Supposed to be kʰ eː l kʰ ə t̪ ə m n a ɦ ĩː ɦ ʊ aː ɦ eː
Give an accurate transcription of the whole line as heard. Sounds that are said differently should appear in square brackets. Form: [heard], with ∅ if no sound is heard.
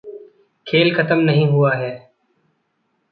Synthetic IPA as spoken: kʰ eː l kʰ ə t̪ ə m n [ə] ɦ ĩː ɦ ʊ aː ɦ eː